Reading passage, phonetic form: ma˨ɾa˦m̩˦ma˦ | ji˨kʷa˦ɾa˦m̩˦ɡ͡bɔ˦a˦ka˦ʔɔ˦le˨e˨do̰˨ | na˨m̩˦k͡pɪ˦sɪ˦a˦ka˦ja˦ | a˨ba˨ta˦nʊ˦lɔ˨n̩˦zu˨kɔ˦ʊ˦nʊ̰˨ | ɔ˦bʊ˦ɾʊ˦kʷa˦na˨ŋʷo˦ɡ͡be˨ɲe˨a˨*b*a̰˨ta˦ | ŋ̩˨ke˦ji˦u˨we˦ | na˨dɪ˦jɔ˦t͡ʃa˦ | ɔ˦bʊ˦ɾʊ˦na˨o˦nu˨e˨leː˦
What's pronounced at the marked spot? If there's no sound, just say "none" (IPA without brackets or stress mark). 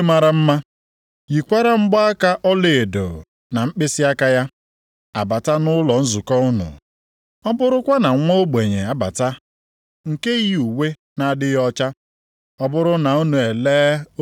b